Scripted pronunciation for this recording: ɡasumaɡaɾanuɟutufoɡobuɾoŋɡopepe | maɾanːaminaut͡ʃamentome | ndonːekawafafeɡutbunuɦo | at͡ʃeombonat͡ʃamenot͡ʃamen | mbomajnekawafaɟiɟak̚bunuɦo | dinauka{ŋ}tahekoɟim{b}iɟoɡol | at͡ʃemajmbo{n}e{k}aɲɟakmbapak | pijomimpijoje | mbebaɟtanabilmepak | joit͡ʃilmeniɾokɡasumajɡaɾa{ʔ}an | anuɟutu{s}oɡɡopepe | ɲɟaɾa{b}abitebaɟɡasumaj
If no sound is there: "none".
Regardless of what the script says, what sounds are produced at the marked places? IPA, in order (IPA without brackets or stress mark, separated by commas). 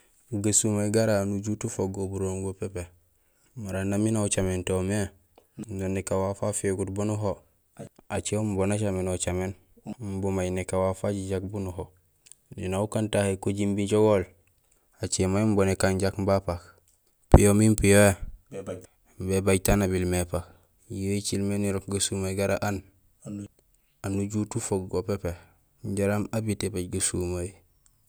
n, b, n, k, ʔ, f, m